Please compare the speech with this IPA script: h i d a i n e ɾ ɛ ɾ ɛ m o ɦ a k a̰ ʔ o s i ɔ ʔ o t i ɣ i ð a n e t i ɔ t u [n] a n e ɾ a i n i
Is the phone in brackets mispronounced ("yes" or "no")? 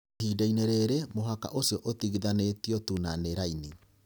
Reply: no